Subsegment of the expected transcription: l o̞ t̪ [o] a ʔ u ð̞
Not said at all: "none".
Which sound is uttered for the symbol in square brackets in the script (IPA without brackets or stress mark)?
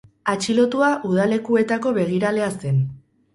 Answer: u